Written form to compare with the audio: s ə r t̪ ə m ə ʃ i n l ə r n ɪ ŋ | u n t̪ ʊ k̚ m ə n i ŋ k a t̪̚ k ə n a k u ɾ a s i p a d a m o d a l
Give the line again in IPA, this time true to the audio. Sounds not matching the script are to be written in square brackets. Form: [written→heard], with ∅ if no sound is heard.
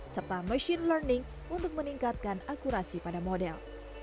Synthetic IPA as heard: s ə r t̪ [ə→a] m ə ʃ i n l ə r n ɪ ŋ | u n t̪ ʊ k̚ m ə n i ŋ k a t̪̚ k [ə→a] n a k u ɾ a s i p a d a m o d [a→ɛ] l